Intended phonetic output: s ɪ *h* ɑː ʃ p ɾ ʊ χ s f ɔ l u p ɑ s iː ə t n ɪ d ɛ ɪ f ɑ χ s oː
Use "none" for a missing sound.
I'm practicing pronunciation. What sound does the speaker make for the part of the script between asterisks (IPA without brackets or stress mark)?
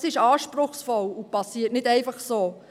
ʃ